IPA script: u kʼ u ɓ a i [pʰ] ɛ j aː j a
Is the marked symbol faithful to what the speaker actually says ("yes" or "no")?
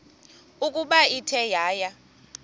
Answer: no